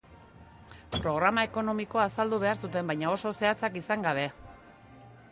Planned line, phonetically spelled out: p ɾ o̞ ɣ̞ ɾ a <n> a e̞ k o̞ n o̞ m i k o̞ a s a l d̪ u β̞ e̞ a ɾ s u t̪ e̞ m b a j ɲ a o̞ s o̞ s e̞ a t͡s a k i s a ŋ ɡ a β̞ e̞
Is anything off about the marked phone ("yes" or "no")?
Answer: yes